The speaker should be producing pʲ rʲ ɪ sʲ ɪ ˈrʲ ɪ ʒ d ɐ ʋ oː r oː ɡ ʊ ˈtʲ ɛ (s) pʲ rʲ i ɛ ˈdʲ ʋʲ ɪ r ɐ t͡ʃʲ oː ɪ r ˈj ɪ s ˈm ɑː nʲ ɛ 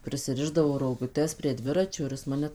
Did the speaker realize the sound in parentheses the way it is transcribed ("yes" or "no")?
yes